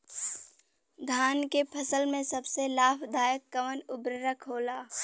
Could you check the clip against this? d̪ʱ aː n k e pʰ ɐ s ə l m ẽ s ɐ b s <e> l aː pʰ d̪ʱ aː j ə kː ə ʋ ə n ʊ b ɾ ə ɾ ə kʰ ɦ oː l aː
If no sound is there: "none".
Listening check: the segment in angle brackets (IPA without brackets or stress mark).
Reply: e